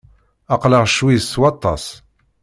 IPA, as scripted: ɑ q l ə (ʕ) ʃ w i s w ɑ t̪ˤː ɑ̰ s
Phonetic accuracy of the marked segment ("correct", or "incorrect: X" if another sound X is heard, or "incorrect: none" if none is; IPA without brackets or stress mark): incorrect: ʁ